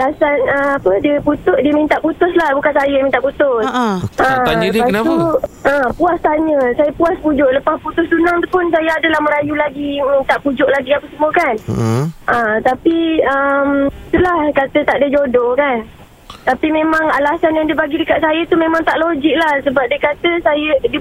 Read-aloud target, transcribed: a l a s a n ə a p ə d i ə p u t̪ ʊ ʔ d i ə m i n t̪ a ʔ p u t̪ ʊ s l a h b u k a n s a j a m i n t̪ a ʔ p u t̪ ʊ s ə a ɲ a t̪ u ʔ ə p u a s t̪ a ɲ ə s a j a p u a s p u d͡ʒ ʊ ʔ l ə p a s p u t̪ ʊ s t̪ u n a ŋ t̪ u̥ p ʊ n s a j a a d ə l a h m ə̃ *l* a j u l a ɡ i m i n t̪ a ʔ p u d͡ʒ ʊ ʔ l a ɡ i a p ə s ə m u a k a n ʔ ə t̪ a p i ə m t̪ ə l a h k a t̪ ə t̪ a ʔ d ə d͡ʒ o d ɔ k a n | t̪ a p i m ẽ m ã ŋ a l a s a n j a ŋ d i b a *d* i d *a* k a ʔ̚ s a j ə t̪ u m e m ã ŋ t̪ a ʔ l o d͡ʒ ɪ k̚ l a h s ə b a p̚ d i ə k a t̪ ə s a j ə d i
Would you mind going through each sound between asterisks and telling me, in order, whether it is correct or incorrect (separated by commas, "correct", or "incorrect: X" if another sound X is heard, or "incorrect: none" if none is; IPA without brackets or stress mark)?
incorrect: ɾ, incorrect: ɡ, incorrect: ə